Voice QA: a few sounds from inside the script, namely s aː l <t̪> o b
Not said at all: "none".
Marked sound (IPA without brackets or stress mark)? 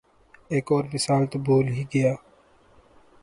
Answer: t̪